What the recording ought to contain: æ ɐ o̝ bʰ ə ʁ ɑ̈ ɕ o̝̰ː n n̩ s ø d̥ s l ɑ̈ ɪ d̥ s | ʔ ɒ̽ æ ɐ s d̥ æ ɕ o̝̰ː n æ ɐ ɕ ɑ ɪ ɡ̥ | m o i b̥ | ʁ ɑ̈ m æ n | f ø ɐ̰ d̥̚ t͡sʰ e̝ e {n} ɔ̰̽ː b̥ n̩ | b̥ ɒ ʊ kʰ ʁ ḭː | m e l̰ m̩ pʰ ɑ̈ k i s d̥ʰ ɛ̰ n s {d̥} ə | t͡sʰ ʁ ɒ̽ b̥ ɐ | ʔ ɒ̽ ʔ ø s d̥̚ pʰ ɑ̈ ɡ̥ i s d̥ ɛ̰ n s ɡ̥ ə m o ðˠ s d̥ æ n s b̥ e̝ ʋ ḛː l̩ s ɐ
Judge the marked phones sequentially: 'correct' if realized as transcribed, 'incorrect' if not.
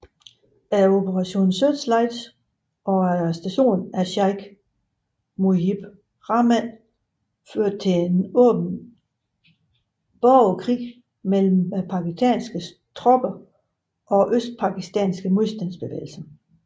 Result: correct, incorrect

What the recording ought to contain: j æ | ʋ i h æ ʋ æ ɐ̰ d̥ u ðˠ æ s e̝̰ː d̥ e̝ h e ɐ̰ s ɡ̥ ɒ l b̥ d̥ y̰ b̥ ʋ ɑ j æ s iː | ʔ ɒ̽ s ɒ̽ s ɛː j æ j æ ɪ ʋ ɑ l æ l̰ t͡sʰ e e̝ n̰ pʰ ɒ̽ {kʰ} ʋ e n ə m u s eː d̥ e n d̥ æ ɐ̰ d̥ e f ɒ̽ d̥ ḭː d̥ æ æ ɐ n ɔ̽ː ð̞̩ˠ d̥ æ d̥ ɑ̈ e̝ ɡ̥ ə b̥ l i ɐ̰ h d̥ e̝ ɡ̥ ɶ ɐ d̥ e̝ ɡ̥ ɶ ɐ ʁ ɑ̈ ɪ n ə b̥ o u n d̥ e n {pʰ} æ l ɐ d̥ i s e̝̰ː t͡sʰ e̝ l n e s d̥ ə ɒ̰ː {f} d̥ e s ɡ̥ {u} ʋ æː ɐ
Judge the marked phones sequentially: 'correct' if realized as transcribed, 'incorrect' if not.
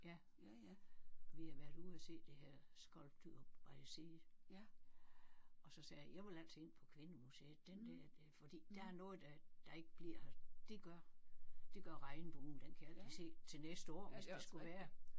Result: correct, incorrect, incorrect, correct

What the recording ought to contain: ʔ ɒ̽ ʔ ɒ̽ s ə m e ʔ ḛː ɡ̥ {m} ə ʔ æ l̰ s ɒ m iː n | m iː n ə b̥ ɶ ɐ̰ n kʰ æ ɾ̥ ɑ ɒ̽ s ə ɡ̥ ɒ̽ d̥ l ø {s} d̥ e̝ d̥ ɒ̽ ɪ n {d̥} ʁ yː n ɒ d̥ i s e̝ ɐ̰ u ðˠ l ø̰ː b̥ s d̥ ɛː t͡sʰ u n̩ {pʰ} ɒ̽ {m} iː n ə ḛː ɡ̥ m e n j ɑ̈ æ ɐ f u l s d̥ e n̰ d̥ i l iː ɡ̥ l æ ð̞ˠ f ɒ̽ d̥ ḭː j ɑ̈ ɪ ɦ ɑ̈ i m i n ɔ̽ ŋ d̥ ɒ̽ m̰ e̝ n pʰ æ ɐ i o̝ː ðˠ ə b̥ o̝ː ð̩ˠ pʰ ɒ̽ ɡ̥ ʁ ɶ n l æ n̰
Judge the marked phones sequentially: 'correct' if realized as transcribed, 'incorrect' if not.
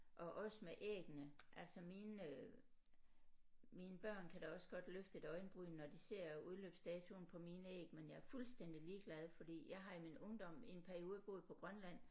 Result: incorrect, incorrect, incorrect, correct, correct

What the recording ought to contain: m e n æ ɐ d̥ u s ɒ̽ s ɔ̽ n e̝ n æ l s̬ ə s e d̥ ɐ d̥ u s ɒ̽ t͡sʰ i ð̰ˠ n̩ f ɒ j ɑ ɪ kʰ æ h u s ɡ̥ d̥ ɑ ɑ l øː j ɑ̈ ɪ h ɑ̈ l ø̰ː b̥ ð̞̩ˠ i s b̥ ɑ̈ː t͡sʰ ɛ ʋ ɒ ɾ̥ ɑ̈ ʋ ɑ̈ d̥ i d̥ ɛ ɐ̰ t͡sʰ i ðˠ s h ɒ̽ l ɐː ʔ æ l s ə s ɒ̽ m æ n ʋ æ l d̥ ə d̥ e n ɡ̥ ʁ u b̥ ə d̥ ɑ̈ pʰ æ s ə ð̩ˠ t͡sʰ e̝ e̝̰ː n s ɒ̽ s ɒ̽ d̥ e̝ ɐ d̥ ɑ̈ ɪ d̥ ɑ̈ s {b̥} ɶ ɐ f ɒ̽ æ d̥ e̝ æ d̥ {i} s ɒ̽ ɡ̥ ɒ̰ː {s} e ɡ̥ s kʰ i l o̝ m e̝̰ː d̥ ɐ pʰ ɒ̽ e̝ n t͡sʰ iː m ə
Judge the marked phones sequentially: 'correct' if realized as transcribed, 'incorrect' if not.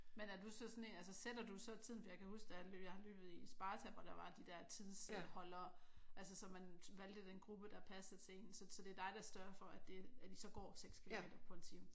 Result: incorrect, correct, correct

